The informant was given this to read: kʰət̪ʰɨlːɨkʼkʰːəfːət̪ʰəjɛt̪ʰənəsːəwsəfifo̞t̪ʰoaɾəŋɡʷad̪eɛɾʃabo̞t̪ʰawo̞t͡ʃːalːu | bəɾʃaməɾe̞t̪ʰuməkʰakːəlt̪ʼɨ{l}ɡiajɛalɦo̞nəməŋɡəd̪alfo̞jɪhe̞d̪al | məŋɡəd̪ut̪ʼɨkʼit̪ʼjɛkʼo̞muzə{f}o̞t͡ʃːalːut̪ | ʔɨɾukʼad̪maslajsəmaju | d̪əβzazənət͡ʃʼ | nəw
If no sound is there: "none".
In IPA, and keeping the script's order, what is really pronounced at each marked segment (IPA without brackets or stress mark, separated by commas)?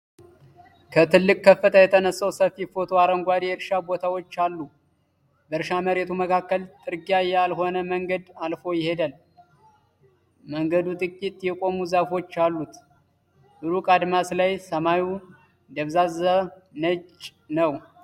ɾ, f